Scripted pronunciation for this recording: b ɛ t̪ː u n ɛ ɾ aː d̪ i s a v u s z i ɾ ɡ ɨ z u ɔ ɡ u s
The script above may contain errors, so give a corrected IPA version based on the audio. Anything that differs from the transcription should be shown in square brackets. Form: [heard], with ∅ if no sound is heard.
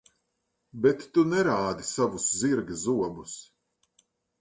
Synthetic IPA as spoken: b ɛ t̪ː u n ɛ ɾ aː d̪ i s a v u s z i ɾ ɡ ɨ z u ɔ [b] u s